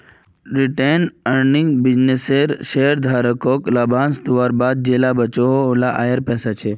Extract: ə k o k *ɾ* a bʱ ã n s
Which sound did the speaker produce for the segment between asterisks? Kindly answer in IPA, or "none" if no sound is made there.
l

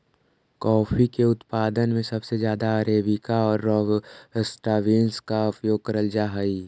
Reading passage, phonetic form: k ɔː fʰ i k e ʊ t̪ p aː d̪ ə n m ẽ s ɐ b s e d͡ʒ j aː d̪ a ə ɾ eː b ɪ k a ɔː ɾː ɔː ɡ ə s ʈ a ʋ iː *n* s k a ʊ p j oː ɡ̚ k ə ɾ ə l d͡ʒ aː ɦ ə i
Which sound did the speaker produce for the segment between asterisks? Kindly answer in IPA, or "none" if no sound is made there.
n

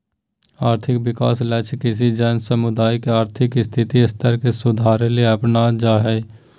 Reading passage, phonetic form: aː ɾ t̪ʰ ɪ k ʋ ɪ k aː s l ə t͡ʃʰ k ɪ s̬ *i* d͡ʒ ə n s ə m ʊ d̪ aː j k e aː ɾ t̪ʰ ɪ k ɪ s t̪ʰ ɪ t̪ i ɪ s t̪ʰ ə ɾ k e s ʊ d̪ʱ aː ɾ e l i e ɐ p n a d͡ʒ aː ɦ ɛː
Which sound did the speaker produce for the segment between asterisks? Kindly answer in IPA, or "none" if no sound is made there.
i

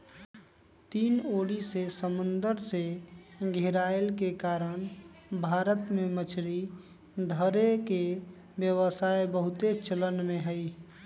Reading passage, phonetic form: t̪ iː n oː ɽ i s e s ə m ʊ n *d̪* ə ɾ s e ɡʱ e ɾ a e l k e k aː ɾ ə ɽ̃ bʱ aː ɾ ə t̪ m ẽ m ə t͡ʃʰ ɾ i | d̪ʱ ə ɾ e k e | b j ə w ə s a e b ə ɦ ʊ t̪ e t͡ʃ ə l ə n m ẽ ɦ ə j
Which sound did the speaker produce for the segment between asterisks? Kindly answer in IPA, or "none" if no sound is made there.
d̪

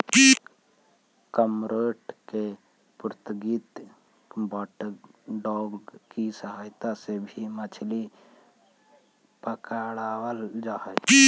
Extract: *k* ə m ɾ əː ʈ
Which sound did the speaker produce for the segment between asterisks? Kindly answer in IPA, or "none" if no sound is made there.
k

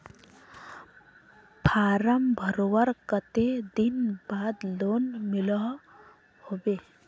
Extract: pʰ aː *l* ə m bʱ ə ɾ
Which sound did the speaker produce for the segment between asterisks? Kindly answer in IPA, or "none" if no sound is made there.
ɾ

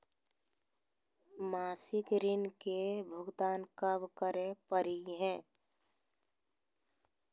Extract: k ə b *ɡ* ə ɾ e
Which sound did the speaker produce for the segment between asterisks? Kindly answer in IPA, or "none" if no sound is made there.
k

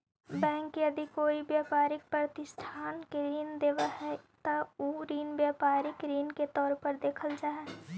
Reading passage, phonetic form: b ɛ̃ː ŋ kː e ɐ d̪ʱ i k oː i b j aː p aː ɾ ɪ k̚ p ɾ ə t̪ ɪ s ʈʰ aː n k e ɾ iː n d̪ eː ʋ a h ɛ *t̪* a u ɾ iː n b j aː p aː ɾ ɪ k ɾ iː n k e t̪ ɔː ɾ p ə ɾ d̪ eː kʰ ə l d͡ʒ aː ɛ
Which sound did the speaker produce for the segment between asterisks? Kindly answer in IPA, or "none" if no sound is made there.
t̪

